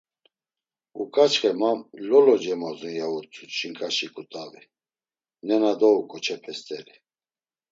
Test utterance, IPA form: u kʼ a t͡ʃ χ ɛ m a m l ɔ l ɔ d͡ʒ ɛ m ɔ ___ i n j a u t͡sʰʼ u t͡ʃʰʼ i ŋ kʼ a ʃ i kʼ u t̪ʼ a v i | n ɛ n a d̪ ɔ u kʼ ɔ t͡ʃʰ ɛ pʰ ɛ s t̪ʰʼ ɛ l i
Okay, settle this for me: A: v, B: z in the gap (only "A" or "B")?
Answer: B